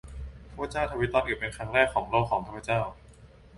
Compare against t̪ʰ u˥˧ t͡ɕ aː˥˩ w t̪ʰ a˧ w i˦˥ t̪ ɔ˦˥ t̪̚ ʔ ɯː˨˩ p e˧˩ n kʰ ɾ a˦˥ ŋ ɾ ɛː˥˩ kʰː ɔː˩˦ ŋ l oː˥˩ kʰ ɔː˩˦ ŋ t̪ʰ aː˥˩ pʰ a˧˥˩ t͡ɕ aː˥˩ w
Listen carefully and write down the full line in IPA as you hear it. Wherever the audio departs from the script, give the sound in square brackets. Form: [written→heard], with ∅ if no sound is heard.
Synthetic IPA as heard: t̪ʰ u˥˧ t͡ɕ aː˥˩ w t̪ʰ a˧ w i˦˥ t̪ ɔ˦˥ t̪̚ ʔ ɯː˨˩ p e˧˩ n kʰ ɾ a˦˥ ŋ ɾ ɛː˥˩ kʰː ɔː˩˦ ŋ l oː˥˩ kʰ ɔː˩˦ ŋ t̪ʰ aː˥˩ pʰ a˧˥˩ t͡ɕ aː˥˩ w